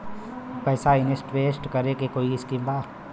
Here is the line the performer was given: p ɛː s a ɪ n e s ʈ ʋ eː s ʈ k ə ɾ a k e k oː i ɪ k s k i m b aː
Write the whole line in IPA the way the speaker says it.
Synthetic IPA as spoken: p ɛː s a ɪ n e s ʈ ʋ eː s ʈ k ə ɾ e k e k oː i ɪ s k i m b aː